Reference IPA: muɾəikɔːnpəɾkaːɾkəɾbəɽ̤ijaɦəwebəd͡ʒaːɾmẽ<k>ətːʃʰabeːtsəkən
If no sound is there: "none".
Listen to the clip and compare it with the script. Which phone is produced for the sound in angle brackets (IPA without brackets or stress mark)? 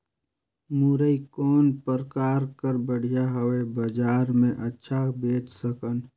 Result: ʔ